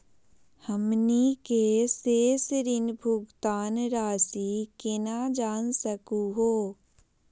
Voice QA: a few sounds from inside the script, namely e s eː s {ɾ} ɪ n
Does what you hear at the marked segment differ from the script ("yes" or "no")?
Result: no